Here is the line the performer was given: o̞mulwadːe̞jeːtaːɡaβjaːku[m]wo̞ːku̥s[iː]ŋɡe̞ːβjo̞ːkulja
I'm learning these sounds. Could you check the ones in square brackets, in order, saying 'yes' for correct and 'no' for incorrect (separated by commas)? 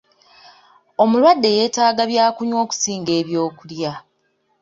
no, yes